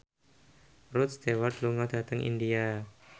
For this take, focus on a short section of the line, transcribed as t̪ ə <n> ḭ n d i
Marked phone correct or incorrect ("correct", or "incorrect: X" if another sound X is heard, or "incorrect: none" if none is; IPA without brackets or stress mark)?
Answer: incorrect: ŋ